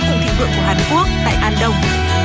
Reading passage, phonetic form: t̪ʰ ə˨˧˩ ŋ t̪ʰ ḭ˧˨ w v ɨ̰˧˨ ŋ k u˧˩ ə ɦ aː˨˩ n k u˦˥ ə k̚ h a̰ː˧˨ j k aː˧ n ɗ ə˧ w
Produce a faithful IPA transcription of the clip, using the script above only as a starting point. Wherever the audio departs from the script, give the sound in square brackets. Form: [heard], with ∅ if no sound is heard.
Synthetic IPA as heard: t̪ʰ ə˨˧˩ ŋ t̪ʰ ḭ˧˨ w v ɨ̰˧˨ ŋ k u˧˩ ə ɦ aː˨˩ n k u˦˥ ə k̚ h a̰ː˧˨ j [ʔ] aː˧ n ɗ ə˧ w